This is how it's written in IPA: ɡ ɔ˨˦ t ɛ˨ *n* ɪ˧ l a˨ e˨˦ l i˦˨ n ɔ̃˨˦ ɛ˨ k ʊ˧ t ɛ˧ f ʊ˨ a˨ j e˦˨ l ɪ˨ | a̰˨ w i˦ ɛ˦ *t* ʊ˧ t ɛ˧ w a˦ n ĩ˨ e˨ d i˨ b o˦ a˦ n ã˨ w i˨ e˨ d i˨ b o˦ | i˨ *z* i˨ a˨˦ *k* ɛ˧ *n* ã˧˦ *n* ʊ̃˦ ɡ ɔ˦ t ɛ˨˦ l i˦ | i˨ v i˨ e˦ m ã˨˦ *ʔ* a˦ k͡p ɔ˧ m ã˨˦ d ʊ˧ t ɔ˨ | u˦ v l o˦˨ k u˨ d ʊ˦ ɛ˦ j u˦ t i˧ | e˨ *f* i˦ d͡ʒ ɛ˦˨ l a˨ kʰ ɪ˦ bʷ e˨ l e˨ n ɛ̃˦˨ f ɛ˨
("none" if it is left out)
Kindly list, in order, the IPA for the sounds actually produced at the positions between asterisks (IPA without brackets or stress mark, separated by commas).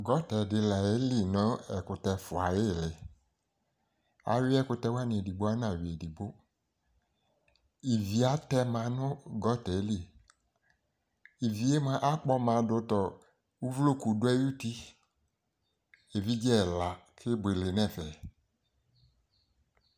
d, k, v, t, m, n, ʔ, v